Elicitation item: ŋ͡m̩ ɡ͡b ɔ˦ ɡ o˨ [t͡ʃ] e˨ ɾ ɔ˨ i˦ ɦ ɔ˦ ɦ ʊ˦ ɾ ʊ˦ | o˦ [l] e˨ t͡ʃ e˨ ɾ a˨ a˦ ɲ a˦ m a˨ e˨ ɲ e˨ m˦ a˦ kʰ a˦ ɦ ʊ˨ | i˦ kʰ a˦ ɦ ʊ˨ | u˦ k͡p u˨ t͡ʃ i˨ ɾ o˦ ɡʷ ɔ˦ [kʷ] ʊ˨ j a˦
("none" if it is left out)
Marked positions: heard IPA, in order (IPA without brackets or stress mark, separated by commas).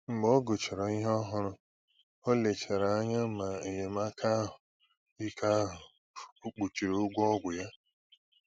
t͡ʃ, l, ɡʷ